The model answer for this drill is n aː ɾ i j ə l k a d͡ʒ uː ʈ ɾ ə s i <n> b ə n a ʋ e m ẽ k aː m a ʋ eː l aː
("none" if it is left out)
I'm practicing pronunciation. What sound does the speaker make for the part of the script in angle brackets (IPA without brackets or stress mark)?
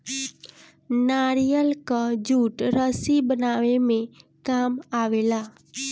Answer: none